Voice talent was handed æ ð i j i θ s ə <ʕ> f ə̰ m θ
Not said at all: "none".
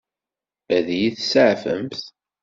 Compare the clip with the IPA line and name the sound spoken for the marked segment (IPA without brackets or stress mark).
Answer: ʕ